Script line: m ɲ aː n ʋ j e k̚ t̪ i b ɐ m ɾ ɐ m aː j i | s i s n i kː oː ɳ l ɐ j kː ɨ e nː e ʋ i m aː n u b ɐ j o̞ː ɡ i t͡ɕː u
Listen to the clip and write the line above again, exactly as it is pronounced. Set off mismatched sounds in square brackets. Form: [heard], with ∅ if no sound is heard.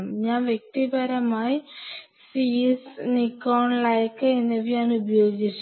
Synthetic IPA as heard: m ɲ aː n ʋ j e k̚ t̪ i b ɐ [∅] ɾ ɐ m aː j i | s i s n i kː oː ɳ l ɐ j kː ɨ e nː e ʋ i [ɲ] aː n u b ɐ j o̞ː ɡ i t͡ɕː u